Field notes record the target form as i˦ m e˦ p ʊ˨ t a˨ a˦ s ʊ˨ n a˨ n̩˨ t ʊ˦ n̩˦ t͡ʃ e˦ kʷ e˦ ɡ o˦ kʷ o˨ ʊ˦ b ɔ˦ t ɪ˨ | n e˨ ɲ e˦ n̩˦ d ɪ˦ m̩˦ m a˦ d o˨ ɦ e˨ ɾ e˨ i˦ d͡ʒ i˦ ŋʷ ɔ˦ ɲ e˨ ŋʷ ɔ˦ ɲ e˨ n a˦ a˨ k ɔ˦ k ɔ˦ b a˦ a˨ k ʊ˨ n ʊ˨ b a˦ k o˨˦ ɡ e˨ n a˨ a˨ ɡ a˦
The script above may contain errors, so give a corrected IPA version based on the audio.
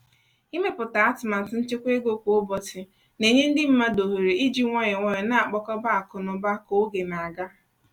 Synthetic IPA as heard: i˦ m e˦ p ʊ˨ t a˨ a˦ t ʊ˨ m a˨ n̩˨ t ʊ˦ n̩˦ t͡ʃ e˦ kʷ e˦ ɡ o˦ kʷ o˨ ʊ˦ b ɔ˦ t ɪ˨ | n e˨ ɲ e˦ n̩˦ d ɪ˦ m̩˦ m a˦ d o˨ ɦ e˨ ɾ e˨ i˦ d͡ʒ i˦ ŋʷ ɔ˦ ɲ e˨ ŋʷ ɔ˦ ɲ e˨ n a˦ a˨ k͡p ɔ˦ k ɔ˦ b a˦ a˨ k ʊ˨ n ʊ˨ b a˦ k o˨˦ ɡ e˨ n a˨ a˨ ɡ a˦

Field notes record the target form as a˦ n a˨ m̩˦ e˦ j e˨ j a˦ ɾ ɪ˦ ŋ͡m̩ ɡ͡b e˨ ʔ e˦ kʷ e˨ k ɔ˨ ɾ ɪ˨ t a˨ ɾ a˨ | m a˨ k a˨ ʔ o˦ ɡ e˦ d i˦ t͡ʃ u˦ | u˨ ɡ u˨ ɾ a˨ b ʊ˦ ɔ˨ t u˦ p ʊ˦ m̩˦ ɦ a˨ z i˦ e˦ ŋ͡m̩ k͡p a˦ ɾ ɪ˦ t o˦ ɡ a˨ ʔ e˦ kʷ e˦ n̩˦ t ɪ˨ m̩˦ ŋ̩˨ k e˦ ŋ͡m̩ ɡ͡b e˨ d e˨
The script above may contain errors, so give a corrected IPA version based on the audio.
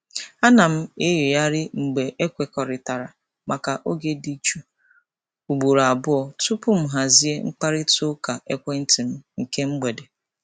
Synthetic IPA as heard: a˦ n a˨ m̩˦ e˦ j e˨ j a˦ ɾ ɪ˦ ŋ͡m̩ ɡ͡b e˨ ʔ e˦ kʷ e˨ k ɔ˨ ɾ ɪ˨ t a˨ ɾ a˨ | m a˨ k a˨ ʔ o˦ ɡ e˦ d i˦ t͡ʃ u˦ | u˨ ɡ͡b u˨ ɾ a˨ b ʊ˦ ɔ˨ t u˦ p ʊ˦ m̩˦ ɦ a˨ z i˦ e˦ ŋ͡m̩ k͡p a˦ ɾ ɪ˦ t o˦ k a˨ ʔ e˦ kʷ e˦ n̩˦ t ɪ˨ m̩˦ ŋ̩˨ k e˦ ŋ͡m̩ ɡ͡b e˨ d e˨

